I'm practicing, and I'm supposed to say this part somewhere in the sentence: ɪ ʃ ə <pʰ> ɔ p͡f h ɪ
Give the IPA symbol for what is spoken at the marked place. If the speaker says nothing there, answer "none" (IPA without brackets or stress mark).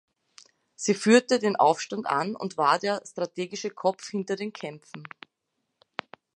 kʰ